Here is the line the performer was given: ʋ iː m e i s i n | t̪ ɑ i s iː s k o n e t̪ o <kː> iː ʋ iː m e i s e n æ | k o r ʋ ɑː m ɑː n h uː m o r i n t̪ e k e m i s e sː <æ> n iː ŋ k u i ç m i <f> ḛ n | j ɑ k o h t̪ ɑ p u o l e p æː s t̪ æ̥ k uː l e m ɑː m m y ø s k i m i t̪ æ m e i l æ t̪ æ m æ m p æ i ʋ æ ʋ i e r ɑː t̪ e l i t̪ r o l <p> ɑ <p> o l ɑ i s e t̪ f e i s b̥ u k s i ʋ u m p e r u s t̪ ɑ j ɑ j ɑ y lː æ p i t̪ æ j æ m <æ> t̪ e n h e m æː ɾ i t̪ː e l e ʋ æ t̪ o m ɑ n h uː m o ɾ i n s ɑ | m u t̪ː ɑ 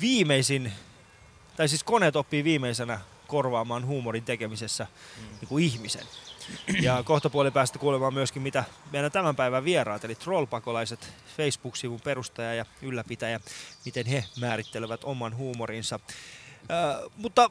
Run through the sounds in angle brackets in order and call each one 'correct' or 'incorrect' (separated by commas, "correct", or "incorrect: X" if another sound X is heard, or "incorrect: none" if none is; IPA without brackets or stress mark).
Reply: incorrect: pː, correct, incorrect: s, correct, incorrect: k, incorrect: i